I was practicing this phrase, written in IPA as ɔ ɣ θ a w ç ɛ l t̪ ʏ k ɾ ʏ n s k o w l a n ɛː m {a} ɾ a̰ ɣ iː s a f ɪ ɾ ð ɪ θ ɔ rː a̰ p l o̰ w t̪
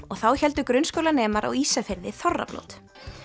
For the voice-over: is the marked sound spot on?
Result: yes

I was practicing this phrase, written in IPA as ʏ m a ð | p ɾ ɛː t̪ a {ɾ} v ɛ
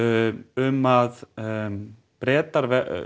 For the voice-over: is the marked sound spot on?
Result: yes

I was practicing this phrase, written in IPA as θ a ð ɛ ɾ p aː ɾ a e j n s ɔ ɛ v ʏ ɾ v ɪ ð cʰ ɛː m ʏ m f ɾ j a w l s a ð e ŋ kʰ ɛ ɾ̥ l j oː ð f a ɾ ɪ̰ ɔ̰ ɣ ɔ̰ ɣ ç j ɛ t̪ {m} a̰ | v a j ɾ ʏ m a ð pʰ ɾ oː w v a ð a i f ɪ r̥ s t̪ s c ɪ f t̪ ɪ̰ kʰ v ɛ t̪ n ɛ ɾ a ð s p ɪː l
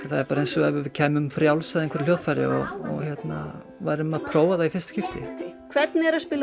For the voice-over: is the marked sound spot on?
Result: no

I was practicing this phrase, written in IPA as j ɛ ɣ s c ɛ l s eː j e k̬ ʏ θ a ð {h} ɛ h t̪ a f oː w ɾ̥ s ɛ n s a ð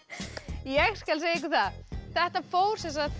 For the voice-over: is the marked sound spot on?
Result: no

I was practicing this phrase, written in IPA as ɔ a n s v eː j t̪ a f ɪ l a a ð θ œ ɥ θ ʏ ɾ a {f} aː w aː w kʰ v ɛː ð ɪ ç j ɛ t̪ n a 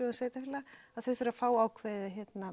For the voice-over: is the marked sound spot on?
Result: yes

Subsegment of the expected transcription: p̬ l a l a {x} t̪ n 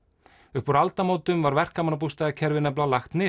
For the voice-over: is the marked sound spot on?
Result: yes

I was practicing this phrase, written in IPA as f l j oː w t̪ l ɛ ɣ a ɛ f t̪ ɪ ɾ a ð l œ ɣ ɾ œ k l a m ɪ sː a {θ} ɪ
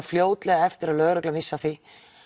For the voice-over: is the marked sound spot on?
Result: yes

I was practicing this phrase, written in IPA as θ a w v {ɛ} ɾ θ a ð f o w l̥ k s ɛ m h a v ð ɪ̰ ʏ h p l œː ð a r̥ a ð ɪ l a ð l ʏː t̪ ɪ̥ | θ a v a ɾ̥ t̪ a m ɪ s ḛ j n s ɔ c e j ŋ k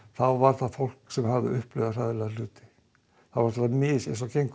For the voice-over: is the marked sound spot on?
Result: no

